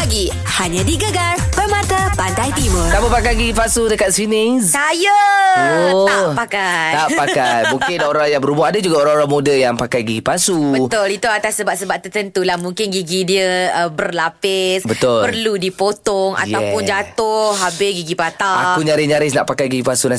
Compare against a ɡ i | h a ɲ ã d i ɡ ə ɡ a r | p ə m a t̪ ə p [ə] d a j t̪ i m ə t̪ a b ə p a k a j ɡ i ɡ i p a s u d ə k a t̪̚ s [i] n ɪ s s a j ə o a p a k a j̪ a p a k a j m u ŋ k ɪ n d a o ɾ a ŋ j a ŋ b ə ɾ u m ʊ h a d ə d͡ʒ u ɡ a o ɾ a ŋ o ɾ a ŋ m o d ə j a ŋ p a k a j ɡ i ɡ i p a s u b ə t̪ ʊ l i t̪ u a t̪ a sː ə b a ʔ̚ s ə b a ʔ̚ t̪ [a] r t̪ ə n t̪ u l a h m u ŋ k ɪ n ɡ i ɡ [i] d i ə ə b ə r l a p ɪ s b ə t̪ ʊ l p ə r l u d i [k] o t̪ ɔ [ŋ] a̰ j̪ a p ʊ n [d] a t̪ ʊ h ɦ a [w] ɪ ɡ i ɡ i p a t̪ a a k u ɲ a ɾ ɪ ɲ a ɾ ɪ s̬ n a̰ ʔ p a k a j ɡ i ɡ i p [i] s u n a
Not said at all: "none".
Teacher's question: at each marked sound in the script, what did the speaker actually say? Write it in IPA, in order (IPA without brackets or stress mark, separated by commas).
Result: a, i, ə, i, p, ŋ, d͡ʒ, b, a